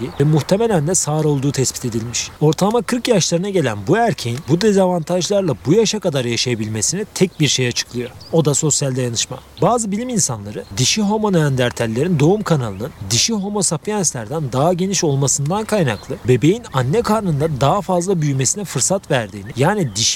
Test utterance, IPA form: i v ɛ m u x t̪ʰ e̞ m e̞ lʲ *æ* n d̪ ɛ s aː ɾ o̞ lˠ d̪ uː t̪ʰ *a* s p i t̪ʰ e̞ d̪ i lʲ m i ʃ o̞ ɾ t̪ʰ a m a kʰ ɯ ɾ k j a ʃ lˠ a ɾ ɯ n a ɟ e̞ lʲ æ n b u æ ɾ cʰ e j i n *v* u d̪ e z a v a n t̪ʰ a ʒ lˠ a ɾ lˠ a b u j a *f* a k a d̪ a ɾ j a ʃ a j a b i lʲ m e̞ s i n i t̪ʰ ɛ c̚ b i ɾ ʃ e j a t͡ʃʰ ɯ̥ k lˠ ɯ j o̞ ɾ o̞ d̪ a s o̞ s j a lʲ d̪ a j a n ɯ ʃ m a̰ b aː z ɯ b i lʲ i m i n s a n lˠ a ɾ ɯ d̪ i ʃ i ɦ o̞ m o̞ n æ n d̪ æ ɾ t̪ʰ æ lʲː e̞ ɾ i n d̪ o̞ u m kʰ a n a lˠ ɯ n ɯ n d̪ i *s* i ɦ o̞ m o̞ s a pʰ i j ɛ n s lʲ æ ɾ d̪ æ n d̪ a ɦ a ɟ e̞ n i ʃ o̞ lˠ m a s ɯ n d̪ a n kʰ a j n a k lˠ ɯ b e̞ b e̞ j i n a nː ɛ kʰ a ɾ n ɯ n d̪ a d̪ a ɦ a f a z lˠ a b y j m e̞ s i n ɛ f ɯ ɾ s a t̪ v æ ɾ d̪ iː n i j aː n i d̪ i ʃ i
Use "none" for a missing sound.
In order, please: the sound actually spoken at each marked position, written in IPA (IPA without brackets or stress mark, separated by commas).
æ, ɛ, b, ʃ, ʃ